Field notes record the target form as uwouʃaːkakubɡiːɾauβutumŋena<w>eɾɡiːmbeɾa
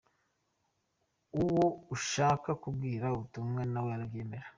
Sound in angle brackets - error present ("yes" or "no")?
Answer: no